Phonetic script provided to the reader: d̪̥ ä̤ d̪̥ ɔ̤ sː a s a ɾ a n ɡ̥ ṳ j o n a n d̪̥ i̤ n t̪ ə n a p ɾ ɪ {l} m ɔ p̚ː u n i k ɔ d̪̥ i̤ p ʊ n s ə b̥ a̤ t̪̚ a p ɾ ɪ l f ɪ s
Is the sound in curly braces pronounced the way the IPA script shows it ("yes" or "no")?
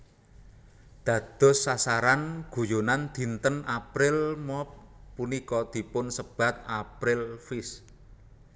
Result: yes